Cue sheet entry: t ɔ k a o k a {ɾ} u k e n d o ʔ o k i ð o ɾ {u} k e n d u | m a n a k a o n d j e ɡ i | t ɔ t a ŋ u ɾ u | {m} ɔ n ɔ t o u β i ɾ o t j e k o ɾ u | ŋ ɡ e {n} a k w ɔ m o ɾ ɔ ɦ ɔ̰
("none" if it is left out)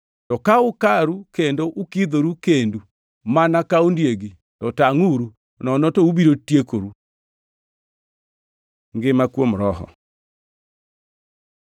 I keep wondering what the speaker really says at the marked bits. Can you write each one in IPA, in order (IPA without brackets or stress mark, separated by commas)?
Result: ɾ, u, n, m